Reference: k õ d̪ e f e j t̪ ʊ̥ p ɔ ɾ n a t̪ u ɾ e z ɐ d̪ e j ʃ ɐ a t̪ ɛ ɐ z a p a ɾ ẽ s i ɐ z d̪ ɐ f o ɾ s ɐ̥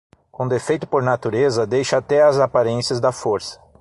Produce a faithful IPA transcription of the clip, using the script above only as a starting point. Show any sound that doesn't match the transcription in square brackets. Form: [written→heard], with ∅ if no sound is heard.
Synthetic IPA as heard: k õ d̪ e f e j t̪ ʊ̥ p [ɔ→o] ɾ n a t̪ u ɾ e z ɐ d̪ e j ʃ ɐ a t̪ ɛ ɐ z a p a ɾ ẽ s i ɐ z d̪ ɐ f o ɾ s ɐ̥